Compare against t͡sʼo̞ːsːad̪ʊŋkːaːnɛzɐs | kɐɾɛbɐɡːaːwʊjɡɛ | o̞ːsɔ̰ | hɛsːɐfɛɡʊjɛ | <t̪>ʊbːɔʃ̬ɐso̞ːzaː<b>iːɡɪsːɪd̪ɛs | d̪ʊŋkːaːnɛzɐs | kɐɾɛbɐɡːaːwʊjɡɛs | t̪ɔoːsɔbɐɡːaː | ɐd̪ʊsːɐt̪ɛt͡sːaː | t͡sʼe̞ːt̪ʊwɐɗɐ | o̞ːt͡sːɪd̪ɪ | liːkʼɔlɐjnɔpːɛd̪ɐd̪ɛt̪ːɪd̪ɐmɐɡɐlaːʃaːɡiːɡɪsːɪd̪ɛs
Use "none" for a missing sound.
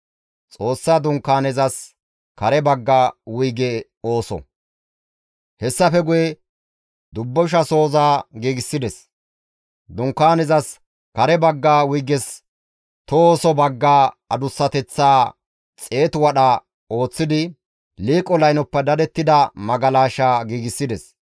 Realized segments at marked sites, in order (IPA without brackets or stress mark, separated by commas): d̪, ɡ